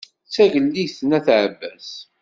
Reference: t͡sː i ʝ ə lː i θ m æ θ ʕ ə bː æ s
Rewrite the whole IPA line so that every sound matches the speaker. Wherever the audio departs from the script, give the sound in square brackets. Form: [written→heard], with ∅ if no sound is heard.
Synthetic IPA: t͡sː [i→æ] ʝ ə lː i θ [m→n] æ θ ʕ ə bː æ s